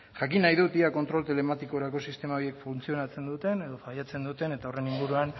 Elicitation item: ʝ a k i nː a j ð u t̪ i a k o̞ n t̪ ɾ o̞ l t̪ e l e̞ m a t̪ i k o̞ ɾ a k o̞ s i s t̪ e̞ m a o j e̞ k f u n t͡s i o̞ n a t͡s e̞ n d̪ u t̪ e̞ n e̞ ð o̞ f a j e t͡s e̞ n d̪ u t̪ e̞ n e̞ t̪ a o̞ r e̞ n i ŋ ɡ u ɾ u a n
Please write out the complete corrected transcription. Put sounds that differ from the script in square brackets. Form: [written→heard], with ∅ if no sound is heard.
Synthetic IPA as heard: ʝ a k i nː a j ð u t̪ i a k o̞ n t̪ ɾ o̞ l t̪ e l e̞ m a t̪ i k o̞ ɾ a k o̞ s i s t̪ e̞ m a o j e̞ k f u n t͡s i o̞ n a t͡s e̞ n d̪ u t̪ e̞ n e̞ ð o̞ f a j [e→a] t͡s e̞ n d̪ u t̪ e̞ n e̞ t̪ a o̞ r e̞ n i ŋ ɡ u ɾ u a n